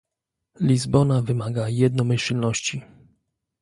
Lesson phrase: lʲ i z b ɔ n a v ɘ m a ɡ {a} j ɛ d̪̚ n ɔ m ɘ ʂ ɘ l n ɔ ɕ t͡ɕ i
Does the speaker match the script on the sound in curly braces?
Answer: yes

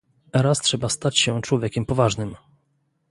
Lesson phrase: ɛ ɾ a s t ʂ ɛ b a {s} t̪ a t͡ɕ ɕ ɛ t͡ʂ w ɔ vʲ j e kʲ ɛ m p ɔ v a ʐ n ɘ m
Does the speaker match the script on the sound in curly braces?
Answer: yes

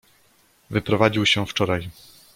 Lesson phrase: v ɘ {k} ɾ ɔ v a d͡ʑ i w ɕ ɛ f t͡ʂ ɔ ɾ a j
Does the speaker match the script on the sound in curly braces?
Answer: no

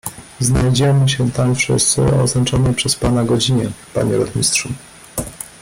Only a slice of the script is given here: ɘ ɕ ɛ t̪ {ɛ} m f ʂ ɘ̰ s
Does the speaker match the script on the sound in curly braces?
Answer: no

